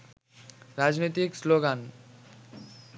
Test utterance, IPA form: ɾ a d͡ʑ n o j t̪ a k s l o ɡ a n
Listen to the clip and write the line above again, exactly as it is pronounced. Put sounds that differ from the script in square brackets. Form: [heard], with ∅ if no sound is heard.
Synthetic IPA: ɾ a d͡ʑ n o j t̪ [i] k s l o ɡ a n

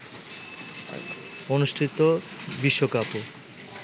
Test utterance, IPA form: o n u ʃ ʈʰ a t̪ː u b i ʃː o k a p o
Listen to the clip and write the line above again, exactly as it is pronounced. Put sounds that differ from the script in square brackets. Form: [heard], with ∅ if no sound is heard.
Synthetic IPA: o n u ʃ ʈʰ [i] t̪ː [o] b i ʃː o k a p o

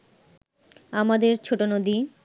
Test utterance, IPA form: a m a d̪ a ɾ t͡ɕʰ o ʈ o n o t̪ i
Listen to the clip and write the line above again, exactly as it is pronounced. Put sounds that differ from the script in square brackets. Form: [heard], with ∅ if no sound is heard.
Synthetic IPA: a m a d̪ [e] ɾ t͡ɕʰ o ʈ o n o [d̪] i

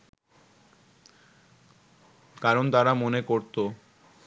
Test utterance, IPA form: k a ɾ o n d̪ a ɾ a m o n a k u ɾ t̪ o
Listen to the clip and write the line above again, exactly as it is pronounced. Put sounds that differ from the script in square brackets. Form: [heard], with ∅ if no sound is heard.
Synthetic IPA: k a ɾ o n [t̪] a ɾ a m o n [e] k [o] ɾ t̪ o

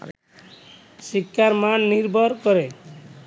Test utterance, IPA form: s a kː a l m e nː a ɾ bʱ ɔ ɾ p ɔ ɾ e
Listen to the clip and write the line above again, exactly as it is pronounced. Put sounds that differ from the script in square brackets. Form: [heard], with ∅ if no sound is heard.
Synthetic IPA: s [i] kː a [ɾ] m [a] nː [i] ɾ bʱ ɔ ɾ [k] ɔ ɾ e

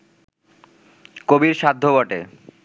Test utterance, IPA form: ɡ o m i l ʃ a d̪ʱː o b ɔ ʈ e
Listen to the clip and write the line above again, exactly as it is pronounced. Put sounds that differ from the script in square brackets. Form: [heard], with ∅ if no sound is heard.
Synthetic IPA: [k] o [b] i [ɾ] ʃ a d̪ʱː o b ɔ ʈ e

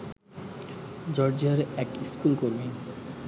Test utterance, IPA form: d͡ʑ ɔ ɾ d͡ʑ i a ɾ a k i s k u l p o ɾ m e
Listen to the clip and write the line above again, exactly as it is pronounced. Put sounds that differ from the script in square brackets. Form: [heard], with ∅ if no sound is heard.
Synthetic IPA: d͡ʑ ɔ ɾ d͡ʑ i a ɾ [ɛ] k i s k u l [k] o ɾ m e

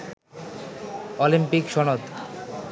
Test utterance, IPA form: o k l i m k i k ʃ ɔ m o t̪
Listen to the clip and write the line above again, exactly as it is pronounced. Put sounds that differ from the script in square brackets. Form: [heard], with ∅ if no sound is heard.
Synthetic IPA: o [∅] l i m [p] i k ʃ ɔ [n] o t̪

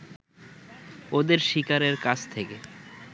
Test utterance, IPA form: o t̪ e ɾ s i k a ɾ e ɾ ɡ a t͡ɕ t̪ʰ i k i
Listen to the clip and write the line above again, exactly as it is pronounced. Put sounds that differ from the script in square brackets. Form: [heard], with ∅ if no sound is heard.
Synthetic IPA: o [d̪] e ɾ [ʃ] i k a ɾ e ɾ [k] a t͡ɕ t̪ʰ [e] k [e]

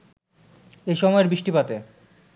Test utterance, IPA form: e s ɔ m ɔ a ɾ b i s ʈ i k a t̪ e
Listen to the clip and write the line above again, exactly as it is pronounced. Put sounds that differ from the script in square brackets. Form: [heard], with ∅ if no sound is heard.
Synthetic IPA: e [ʃ] ɔ m ɔ [e] ɾ b i [ʃ] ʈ i [p] a t̪ e

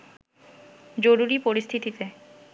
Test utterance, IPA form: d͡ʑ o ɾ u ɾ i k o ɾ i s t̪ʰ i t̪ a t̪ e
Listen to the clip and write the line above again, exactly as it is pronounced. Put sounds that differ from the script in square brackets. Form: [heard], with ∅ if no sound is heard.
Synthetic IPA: d͡ʑ o ɾ u ɾ i [p] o ɾ i s t̪ʰ i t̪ [i] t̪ e

